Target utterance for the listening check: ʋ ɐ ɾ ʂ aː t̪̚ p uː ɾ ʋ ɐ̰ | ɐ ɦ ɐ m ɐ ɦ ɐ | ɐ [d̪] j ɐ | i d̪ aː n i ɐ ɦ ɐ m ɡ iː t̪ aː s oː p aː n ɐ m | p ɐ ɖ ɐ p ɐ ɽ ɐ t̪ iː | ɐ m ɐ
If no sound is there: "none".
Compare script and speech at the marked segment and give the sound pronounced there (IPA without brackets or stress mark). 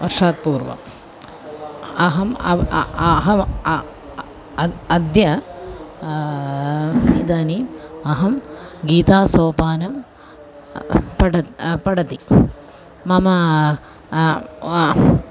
d̪